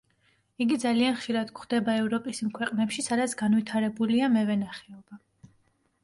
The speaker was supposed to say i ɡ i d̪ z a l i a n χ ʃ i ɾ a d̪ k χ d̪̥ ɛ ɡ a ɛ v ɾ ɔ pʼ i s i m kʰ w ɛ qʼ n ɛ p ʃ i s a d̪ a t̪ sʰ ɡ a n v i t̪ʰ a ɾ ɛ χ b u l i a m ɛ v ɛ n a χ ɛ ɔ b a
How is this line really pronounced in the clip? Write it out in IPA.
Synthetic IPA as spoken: i ɡ i d̪ z a l i a n χ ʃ i ɾ a d̪ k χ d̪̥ ɛ b a ɛ v ɾ ɔ pʼ i s i m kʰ w ɛ qʼ n ɛ p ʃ i s a d̪ a t̪ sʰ ɡ a n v i t̪ʰ a ɾ ɛ b u l i a m ɛ v ɛ n a χ ɛ ɔ b a

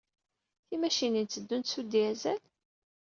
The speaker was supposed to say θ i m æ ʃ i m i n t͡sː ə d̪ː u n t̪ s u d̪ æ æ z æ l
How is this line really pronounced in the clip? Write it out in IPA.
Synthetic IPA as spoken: θ i m æ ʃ i n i n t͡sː ə d̪ː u n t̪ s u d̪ i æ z æ l

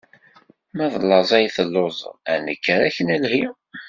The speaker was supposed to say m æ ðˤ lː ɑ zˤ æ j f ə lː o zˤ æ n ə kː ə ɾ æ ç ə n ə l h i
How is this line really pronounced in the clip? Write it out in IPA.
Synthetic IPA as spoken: m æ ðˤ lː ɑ zˤ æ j θ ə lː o zˤ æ n ə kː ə ɾ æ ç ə n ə l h i

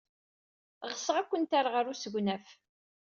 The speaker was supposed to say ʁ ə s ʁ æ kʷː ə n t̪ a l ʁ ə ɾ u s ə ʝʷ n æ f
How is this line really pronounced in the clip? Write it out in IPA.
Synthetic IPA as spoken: ʁ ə s ʁ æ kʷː ə n t̪ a ɾ ʁ ə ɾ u s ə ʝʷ n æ f

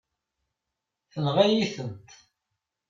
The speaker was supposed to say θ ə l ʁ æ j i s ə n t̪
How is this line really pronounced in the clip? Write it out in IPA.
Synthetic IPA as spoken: θ ə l ʁ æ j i θ ə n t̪

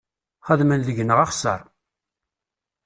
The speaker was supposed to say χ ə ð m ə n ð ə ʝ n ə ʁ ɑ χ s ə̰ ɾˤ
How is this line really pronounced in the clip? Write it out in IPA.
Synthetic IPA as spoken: χ ə ð m ə n ð ə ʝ n ə ʁ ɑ χ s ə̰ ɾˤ

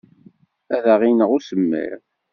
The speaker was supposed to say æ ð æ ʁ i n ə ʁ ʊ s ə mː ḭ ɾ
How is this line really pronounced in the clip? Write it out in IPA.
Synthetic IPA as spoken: æ ð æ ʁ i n ə ʁ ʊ s ə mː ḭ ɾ

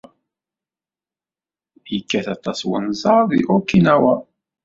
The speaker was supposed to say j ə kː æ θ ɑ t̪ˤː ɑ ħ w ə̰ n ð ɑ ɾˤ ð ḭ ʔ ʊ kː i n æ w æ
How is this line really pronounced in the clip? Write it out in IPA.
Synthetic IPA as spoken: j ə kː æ θ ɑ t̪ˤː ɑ s w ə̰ n z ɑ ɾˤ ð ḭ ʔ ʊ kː i n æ w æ

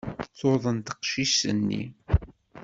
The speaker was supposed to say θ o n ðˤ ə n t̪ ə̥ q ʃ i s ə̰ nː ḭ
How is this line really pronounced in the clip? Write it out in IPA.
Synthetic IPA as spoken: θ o ðˤ ə n t̪ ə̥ q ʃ i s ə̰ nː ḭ

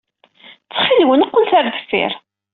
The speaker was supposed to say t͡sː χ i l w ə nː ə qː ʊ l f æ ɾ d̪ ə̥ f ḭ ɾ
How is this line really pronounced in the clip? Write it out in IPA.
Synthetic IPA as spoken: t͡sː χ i l w ə n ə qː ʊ l θ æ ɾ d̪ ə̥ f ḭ ɾ

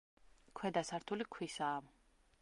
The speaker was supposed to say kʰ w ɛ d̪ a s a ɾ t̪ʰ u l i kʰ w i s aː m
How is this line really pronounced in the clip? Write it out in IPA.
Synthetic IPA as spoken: kʰ w ɛ d̪ a s a ɾ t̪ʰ u l i kʰ w i s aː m

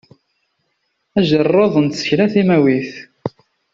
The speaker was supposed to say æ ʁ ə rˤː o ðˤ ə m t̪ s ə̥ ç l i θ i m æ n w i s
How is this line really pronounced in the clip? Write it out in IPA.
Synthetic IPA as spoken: æ ʒ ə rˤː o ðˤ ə n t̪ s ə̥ ç l æ θ i m æ w i θ

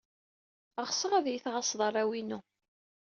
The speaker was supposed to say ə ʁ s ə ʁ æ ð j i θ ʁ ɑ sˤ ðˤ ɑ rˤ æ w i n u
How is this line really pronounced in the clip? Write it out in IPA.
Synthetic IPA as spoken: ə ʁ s ə ʁ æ ð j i θ ʁ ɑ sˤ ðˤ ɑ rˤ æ w i n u

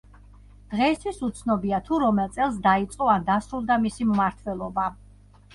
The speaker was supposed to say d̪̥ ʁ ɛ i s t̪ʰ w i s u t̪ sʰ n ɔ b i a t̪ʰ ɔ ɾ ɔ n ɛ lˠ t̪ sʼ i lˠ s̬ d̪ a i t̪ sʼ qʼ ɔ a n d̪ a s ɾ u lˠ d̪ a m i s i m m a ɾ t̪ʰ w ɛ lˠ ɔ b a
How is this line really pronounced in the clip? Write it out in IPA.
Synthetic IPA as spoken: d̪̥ ʁ ɛ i s t̪ʰ w i s u t̪ sʰ n ɔ b i a t̪ʰ u ɾ ɔ m ɛ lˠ t̪ sʼ ɛ lˠ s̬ d̪ a i t̪ sʼ qʼ ɔ a n d̪ a s ɾ u lˠ d̪ a m i s i m m a ɾ t̪ʰ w ɛ lˠ ɔ b a

